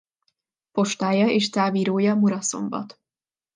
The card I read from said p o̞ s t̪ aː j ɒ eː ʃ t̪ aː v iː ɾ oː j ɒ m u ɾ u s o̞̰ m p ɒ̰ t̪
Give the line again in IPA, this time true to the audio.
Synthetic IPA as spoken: p o̞ ʃ t̪ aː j ɒ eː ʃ t̪ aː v iː ɾ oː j ɒ m u ɾ ɒ s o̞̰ m b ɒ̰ t̪